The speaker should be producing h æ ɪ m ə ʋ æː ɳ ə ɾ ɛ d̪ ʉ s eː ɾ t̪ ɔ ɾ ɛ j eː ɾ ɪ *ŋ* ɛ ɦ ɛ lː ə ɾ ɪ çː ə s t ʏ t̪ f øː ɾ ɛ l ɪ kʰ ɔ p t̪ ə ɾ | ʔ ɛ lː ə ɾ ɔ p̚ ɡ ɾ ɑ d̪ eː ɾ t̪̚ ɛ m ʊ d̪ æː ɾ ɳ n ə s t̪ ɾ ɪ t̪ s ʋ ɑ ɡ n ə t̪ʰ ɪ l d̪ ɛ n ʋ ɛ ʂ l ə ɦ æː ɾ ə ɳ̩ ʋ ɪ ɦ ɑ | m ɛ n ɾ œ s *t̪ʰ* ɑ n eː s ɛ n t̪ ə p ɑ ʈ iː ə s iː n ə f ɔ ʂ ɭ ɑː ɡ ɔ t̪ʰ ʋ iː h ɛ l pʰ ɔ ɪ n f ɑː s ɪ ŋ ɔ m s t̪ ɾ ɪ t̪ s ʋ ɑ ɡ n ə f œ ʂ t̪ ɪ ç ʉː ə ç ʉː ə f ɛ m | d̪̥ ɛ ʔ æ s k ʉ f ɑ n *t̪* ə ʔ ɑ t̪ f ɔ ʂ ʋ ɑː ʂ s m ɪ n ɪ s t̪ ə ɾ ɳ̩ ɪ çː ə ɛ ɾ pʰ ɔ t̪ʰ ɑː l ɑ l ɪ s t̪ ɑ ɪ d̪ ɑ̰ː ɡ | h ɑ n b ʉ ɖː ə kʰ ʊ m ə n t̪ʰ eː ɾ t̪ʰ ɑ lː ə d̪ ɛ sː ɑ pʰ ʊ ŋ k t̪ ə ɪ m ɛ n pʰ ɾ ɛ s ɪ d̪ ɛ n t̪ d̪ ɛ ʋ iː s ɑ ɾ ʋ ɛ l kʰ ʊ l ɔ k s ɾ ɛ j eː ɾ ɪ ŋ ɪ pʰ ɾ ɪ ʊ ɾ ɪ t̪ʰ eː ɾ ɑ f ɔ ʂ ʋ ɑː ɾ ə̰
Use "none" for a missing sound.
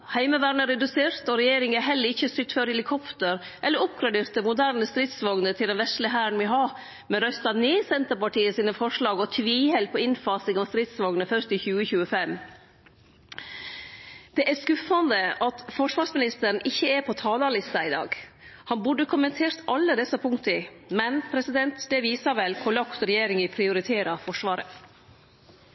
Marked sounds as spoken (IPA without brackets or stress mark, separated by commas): ŋ, t̪, d̪